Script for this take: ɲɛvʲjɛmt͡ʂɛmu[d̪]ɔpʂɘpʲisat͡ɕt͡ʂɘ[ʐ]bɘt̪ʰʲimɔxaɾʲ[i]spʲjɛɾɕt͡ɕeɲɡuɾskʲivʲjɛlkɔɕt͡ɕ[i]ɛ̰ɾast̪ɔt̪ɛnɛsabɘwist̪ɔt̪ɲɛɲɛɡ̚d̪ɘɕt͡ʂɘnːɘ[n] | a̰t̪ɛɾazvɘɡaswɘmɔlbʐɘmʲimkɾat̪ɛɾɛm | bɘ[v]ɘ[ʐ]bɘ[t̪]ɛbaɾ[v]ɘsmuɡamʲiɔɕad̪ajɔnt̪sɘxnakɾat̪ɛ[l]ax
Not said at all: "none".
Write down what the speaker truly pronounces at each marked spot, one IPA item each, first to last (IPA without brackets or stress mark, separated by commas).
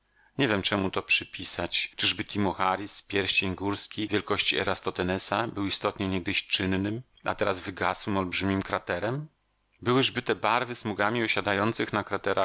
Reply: t̪, ʐ, i, i, m, w, ʐ, t̪, v, ɾ